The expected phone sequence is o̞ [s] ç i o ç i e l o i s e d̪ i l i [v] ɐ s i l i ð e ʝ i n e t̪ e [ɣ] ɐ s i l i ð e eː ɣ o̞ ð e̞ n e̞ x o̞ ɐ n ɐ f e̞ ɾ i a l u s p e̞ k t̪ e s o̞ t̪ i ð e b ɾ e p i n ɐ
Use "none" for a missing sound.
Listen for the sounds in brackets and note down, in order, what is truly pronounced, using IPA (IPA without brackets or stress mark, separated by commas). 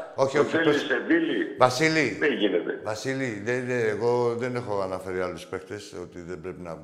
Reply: none, v, v